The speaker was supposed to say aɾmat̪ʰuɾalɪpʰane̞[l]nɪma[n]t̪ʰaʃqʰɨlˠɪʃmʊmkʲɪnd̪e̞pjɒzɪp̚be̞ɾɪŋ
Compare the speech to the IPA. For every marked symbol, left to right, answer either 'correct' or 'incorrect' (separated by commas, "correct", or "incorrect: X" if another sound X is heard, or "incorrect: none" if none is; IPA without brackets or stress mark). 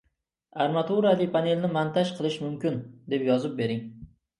correct, correct